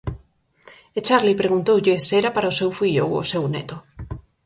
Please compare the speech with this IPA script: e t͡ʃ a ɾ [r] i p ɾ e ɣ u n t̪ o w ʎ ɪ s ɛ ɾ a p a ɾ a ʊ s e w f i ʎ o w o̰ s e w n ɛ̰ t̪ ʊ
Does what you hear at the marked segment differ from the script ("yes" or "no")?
yes